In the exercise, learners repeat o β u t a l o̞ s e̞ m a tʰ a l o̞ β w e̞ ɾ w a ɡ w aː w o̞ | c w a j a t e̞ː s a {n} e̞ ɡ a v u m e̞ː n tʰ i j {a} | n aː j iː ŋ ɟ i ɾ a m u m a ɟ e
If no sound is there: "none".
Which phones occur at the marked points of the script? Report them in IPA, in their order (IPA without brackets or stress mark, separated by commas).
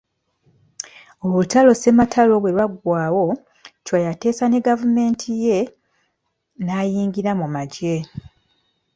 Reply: n, e